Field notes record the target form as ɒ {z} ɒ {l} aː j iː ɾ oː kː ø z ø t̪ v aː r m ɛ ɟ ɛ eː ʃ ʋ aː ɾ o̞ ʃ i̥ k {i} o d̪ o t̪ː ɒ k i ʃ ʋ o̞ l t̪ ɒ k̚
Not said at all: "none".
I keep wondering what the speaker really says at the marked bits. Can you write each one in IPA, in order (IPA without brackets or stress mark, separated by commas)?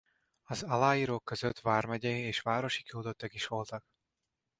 z, l, i